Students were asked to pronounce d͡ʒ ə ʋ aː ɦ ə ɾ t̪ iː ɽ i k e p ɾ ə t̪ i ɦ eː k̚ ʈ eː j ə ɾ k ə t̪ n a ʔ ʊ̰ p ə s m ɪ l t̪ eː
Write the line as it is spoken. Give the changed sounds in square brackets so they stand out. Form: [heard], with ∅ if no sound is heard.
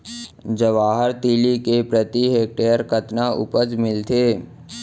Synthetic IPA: d͡ʒ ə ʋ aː ɦ ə ɾ t̪ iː [l] i k e p ɾ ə t̪ i ɦ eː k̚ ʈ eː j ə ɾ k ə t̪ n a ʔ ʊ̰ p ə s m ɪ l t̪ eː